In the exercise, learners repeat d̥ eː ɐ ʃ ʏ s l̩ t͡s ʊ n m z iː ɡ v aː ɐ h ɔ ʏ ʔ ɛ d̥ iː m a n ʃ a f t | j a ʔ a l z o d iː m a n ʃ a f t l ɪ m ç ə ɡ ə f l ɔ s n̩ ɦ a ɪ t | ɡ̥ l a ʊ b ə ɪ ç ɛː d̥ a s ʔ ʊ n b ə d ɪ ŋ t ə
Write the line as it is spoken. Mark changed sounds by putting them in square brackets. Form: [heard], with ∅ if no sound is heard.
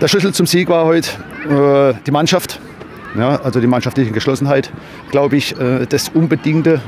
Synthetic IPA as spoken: d̥ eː ɐ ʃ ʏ s l̩ t͡s ʊ [∅] m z iː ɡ v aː ɐ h ɔ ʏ [t] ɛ d̥ iː m a n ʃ a f t | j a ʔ a l z o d iː m a n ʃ a f t l ɪ [∅] ç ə ɡ ə [ʃ] l ɔ s n̩ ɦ a ɪ t | ɡ̥ l a ʊ b ə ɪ ç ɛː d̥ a s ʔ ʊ n b ə d ɪ ŋ t ə